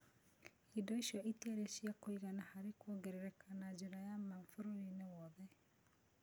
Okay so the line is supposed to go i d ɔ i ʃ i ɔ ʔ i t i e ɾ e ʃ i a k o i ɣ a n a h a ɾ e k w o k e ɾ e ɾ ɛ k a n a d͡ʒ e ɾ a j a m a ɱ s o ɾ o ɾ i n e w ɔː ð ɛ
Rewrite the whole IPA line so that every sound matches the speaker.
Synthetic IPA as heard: i d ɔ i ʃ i ɔ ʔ i t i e ɾ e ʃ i a k o i ɣ a n a h a ɾ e k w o ɡ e ɾ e ɾ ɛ k a n a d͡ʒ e ɾ a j a m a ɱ f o ɾ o ɾ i n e w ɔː ð ɛ

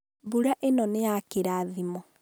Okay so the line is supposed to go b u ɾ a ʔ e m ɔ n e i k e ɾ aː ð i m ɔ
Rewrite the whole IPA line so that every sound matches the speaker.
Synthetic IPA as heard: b u ɾ a ʔ e n ɔ n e a k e ɾ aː ð i m ɔ

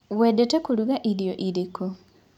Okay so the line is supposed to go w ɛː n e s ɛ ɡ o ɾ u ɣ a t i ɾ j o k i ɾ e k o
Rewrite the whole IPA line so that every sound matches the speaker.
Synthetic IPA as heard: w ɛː d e t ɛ k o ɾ u ɣ a ʔ i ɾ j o ʔ i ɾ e k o

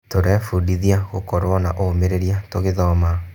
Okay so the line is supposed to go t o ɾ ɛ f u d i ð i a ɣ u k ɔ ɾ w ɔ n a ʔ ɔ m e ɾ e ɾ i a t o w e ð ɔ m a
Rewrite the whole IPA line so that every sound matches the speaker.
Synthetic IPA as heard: t o ɾ ɛ f u d i ð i a ɣ o k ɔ ɾ w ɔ n a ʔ o m e ɾ e ɾ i a t o ɣ e ð ɔ m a

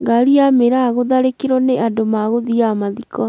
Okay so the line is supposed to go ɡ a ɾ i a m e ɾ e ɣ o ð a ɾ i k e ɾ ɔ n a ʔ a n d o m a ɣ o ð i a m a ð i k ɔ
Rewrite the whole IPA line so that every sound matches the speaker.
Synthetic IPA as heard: ɡ a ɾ i a m e ɾ a ɣ o ð a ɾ e k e ɾ ɔ n e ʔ a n d o m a ɣ o ð i a m a ð i k ɔ

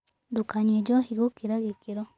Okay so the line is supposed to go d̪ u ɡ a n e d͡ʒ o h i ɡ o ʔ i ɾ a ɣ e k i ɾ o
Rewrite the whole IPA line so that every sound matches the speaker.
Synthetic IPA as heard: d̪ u k a ɲ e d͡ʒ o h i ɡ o k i ɾ a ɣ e k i ɾ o

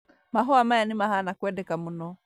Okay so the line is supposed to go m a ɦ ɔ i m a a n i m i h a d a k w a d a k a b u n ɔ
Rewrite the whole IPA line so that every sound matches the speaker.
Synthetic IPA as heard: m a ɦ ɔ a m a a n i m a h a n a k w ɛ d ɛ k a m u n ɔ

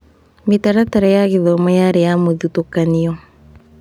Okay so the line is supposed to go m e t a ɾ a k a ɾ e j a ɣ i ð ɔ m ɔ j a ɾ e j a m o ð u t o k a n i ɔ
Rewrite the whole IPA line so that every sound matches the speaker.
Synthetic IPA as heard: m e t a ɾ a t a ɾ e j a ɣ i ð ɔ m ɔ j a ɾ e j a m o ð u t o k a n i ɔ

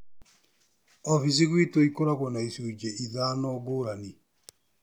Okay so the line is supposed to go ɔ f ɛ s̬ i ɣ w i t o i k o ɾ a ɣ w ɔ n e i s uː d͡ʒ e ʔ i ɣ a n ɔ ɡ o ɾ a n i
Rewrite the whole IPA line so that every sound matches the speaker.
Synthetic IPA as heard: ɔ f i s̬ i ɣ w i t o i k o ɾ a ɣ w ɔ n a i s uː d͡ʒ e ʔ i ð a n ɔ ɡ o ɾ a n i

